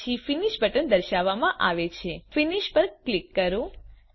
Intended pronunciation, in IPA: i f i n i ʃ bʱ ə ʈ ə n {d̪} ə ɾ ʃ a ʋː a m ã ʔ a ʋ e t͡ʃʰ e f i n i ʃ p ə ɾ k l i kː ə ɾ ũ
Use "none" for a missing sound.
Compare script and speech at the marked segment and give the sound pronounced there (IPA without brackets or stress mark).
d̪